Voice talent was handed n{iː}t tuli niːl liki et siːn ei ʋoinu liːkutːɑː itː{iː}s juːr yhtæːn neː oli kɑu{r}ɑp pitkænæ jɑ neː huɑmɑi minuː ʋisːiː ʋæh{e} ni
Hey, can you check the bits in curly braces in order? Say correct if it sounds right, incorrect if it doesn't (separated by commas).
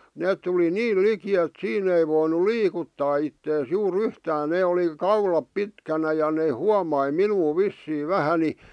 incorrect, incorrect, incorrect, incorrect